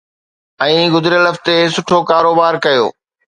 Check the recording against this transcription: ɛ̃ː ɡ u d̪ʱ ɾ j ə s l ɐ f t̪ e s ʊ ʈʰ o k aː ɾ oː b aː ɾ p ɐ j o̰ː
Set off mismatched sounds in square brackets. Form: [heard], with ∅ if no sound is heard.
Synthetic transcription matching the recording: ɛ̃ː ɡ [ʊ] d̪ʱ ɾ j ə [∅] l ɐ f t̪ e s ʊ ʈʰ o k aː ɾ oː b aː ɾ [k] ɐ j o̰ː